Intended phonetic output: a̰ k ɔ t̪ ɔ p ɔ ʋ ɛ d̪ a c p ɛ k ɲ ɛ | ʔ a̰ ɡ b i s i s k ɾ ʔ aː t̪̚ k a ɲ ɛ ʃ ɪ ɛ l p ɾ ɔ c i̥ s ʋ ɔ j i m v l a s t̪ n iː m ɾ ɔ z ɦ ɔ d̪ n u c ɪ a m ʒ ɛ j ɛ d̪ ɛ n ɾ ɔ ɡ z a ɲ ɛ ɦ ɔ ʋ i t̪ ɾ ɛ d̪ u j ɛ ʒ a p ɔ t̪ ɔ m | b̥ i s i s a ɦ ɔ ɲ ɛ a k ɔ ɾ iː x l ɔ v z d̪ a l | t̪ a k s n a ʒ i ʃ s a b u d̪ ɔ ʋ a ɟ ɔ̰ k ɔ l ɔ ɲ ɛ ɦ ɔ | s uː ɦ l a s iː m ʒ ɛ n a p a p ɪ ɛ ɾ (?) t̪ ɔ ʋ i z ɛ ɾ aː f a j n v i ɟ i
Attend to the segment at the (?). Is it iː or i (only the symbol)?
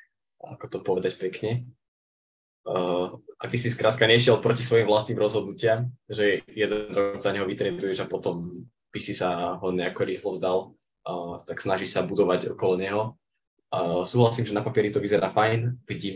i